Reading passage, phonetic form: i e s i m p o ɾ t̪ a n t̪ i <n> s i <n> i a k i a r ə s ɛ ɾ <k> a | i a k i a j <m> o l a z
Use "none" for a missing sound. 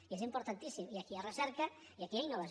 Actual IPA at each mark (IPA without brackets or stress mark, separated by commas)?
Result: none, m, k, n